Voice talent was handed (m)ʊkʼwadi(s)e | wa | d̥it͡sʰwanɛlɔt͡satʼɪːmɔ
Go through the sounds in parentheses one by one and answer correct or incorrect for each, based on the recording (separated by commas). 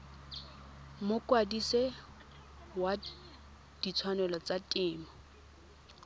correct, correct